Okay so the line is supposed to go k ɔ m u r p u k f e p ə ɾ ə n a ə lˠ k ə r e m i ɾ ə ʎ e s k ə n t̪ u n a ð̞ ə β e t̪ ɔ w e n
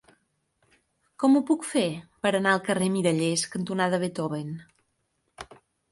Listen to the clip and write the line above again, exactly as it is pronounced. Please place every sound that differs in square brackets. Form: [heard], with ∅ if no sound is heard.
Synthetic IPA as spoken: k ɔ m u [∅] p u k f e p ə ɾ ə n a ə lˠ k ə r e m i ɾ ə ʎ e s k ə n t̪ u n a ð̞ ə β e t̪ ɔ [β] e n